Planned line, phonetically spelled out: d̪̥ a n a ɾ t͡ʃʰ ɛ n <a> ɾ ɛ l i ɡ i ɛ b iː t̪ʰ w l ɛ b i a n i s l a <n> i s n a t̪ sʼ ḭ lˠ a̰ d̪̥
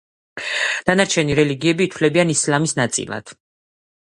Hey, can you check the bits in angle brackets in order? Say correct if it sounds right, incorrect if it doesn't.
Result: incorrect: i, incorrect: m

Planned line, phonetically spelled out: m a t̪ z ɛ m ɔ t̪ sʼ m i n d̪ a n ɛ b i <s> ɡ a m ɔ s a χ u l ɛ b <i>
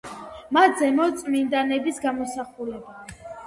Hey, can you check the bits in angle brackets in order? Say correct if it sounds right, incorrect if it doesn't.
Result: correct, incorrect: a

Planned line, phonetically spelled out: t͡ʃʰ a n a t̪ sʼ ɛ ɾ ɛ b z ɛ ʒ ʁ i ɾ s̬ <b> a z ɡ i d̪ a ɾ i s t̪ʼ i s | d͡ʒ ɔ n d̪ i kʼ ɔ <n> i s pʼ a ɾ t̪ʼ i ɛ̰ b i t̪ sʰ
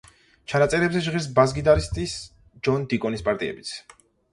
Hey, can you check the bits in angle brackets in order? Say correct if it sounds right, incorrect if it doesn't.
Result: correct, correct

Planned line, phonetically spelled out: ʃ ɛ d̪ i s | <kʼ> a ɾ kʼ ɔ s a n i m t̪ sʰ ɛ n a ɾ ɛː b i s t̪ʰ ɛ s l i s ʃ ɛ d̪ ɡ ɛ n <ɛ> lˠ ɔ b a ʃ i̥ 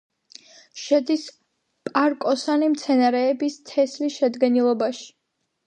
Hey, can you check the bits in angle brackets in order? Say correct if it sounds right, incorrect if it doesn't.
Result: incorrect: pʼ, incorrect: i

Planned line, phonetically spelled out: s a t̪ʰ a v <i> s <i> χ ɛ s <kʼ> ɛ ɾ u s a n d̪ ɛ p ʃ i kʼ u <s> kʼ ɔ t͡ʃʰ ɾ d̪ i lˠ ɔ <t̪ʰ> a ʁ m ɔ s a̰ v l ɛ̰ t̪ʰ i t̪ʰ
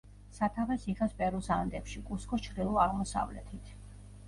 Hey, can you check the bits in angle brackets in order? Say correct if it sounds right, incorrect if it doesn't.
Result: incorrect: ɛ, correct, incorrect: pʼ, correct, incorrect: none

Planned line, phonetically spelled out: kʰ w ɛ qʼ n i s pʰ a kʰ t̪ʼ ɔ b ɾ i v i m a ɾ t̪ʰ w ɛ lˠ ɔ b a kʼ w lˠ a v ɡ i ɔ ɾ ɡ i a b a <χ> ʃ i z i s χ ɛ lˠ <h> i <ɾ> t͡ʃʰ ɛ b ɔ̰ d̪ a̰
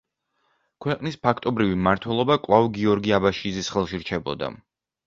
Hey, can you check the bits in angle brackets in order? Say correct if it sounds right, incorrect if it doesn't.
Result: incorrect: none, incorrect: ʃ, correct

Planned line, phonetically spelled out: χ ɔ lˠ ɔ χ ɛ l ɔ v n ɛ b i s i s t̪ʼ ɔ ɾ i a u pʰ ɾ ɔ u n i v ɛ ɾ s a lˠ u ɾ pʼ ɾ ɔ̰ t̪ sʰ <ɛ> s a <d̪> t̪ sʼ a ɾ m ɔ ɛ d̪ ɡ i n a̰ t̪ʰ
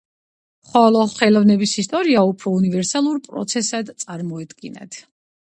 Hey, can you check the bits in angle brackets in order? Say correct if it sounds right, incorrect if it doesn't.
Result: correct, correct

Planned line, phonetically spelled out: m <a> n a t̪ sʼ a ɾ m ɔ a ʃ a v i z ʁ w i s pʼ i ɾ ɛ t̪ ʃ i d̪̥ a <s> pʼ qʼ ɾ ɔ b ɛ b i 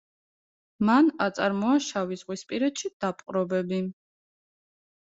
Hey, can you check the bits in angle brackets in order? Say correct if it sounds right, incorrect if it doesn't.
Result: correct, incorrect: none

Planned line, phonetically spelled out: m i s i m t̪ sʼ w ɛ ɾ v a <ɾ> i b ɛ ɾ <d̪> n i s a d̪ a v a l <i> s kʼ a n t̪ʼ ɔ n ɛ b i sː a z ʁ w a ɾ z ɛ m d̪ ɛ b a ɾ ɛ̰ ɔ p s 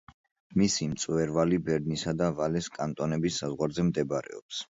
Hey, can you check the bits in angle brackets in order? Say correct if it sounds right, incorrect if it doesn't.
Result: incorrect: l, correct, incorrect: ɛ

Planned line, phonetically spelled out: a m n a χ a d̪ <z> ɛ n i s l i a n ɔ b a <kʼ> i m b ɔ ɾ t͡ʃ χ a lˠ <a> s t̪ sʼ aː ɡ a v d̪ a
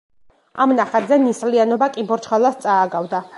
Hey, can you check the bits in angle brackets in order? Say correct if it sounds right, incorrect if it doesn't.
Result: correct, correct, correct

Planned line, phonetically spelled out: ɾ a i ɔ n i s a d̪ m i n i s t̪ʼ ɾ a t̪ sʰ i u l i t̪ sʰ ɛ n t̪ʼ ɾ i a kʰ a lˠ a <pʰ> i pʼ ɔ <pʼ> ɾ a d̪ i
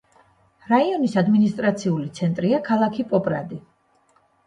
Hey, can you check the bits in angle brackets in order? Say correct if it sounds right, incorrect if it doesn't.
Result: incorrect: kʰ, correct

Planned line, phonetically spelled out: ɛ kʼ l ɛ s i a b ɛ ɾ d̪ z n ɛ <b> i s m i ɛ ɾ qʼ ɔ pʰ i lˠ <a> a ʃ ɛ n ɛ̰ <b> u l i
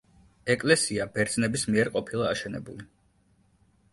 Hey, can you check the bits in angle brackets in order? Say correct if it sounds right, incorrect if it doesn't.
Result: correct, correct, correct

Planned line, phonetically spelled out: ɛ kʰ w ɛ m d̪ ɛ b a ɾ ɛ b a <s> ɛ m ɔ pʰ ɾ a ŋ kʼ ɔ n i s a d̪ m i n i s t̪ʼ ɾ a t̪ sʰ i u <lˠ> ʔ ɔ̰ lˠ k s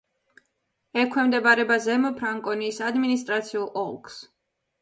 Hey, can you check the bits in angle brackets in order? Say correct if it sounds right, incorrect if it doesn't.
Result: incorrect: z, correct

